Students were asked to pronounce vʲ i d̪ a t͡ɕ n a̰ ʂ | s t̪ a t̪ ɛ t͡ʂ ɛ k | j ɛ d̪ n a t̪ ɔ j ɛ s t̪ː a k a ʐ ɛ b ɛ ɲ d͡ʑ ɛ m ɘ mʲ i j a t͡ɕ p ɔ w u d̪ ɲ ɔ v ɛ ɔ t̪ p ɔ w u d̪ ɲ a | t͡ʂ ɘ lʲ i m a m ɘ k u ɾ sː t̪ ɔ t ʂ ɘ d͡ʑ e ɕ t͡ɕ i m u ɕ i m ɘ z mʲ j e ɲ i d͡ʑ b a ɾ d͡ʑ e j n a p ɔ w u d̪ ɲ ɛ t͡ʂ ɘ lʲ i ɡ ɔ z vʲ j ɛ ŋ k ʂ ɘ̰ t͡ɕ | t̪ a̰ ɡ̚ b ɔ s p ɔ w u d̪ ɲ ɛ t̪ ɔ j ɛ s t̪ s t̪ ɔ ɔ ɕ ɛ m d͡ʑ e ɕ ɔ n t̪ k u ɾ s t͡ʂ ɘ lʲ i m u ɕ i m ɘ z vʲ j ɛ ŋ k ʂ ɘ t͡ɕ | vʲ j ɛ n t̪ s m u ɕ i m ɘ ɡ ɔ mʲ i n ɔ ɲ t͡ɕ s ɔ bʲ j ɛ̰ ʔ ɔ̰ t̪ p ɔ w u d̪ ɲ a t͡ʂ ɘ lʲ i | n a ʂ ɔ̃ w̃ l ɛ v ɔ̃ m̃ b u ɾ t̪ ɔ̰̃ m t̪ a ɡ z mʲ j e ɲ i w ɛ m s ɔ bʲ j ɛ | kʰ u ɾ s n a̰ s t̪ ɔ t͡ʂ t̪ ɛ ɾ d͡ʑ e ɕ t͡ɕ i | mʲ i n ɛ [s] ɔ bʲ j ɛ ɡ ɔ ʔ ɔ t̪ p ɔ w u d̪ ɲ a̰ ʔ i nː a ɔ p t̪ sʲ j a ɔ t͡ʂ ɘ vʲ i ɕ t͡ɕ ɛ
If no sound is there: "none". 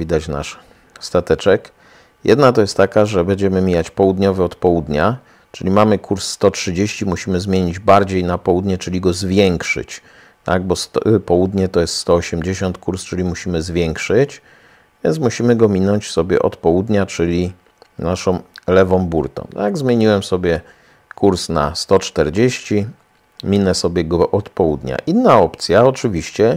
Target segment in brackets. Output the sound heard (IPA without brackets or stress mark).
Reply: s